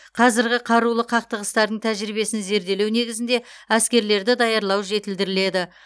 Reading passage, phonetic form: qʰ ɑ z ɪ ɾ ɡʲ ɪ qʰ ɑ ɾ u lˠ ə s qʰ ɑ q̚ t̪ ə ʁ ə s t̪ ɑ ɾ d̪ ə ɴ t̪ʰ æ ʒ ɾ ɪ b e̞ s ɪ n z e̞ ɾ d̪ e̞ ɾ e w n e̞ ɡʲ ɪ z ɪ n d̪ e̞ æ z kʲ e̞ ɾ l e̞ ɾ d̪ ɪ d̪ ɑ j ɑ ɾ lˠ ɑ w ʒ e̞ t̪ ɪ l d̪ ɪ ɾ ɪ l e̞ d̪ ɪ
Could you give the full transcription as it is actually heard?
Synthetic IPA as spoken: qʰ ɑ z ɪ ɾ ɡʲ ɪ qʰ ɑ ɾ u lˠ ə qʰ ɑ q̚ t̪ ə ʁ ə s t̪ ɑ ɾ d̪ ə ɴ t̪ʰ æ ʒ ɾ i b e̞ s ɪ n z e̞ ɾ d̪ e̞ l e w n e̞ ɡʲ ɪ z ɪ n d̪ e̞ æ s kʲ e̞ ɾ l e̞ ɾ d̪ ɪ d̪ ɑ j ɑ ɾ lˠ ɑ w ʒ e̞ t̪ ɪ l d̪ ɪ ɾ ɪ l e̞ d̪ ɪ